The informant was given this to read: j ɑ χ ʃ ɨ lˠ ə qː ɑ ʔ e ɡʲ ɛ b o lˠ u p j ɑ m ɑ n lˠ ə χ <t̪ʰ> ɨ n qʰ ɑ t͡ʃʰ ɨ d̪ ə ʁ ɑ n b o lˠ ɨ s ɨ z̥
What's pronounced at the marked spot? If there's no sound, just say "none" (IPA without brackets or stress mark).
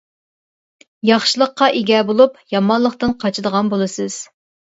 t̪